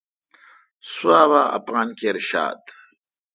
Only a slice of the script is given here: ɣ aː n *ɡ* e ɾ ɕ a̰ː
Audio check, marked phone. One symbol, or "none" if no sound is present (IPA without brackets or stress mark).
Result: k